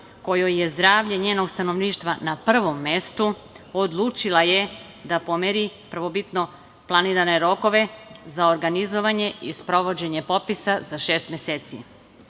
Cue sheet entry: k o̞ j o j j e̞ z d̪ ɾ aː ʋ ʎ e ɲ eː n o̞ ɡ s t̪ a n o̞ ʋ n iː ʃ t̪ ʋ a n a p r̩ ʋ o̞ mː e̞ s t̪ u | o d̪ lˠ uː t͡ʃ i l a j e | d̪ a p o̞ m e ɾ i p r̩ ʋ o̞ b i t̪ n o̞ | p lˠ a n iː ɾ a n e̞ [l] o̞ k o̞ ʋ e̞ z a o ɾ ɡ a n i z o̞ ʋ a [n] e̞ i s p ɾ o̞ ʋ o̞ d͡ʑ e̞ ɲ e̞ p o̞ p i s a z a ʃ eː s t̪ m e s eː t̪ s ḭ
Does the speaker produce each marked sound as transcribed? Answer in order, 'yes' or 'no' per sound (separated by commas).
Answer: no, no